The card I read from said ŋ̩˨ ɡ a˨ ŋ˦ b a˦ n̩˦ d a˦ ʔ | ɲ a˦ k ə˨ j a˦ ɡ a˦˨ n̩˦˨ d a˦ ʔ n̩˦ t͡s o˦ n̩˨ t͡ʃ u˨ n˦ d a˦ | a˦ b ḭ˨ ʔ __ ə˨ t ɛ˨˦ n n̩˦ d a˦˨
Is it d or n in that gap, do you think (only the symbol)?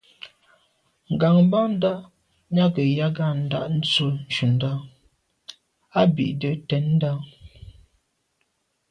d